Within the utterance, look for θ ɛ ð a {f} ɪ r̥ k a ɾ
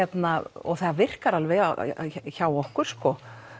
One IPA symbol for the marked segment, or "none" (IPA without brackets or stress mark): v